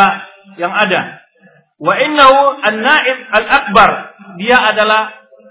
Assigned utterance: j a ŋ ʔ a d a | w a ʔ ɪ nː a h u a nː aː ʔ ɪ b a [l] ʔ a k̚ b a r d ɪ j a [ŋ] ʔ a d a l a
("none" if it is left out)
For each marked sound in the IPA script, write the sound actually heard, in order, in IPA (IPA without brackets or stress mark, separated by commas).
l, none